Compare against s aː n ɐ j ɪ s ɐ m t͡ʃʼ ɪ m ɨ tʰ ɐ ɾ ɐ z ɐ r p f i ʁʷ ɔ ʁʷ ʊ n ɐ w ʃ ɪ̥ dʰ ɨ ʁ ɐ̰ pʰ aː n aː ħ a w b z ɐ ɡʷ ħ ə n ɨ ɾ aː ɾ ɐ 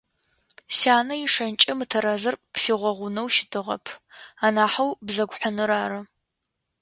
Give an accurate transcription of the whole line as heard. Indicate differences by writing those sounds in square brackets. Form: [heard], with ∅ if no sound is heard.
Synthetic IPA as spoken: s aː n ɐ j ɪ [ʂ] ɐ [n] t͡ʃʼ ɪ m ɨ tʰ ɐ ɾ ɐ z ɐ r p f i ʁʷ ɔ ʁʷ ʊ n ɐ w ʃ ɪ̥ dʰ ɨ ʁ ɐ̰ pʰ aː n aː ħ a w b z ɐ ɡʷ ħ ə n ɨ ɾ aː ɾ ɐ